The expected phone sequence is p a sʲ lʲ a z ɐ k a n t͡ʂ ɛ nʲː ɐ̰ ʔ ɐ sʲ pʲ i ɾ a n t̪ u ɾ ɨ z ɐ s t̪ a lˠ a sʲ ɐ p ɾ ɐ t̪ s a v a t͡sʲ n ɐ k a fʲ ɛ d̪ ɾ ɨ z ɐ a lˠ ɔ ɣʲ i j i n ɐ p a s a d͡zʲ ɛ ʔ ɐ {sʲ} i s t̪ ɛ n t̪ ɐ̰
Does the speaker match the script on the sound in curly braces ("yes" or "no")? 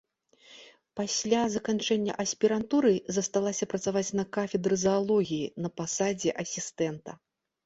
yes